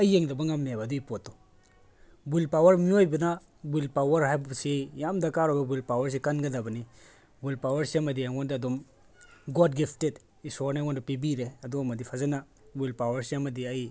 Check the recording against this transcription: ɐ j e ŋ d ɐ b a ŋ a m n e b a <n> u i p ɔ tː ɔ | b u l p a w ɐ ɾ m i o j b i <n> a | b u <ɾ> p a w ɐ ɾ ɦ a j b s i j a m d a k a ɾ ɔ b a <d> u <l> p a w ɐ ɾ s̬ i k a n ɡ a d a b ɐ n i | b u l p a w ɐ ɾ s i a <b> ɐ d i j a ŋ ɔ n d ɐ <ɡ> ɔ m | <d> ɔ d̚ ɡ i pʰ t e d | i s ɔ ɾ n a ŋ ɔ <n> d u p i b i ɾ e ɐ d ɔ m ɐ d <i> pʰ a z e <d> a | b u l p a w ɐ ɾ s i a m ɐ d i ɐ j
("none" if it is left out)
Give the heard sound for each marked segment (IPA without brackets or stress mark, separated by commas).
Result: d, n, l, b, l, m, d, ɡ, n, i, n